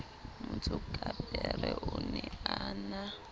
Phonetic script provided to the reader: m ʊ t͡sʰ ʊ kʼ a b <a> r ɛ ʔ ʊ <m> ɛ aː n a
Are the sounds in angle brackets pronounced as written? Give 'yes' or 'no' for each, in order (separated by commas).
no, no